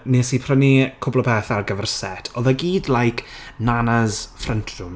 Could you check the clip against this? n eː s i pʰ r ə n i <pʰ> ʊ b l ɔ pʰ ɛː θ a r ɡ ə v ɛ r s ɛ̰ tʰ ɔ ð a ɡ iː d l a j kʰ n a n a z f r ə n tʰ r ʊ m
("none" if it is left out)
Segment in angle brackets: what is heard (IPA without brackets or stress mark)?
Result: kʰ